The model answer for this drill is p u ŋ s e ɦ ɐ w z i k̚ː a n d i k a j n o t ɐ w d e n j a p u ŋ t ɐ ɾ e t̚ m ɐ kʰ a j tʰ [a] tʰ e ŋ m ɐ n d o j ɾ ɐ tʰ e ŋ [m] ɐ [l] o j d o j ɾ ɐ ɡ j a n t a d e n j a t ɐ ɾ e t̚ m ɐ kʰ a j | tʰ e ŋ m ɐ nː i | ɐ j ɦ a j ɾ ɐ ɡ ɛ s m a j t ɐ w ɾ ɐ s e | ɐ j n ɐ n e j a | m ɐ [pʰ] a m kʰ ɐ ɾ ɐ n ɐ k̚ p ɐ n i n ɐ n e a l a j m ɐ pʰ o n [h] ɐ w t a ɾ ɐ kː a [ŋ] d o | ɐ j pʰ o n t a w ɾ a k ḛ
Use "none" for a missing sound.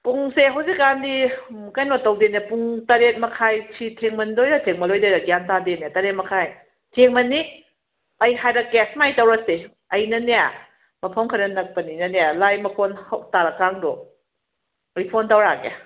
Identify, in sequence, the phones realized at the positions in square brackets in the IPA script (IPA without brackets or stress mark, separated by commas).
i, m, l, pʰ, h, ŋ